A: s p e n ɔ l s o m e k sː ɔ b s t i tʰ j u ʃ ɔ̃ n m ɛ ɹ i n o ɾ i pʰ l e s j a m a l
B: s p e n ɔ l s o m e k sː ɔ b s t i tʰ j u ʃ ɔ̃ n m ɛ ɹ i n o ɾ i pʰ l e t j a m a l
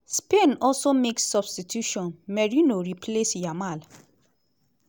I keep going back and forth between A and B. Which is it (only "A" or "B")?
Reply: A